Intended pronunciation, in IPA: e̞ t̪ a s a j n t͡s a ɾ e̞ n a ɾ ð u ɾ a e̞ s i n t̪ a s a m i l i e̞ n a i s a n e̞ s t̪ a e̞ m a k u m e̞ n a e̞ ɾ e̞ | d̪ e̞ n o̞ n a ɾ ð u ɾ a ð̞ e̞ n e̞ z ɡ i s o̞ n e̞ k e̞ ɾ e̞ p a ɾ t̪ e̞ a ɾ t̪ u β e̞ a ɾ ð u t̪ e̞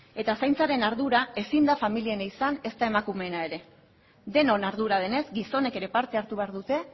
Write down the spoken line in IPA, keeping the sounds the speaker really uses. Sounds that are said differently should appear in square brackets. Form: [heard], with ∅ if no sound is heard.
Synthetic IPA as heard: e̞ t̪ a s a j n t͡s a ɾ e̞ n a ɾ ð u ɾ a e̞ s i n [d̪] a [f] a m i l i e̞ n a i s a n e̞ s t̪ a e̞ m a k u m e̞ n a e̞ ɾ e̞ | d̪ e̞ n o̞ n a ɾ ð u ɾ a ð̞ e̞ n e̞ z ɡ i s o̞ n e̞ k e̞ ɾ e̞ p a ɾ t̪ e̞ a ɾ t̪ u β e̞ a ɾ ð u t̪ e̞